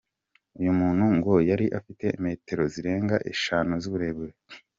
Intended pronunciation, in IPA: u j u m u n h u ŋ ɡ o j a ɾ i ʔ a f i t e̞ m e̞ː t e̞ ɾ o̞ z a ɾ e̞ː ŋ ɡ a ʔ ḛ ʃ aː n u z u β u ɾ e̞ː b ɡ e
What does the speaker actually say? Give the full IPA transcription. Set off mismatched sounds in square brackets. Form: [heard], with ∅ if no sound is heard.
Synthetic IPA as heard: u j u m [uː] n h u ŋ ɡ o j a ɾ i ʔ a f i t e̞ m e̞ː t e̞ ɾ o̞ z [i] ɾ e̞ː ŋ ɡ a ʔ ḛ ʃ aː n u z u β u ɾ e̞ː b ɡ e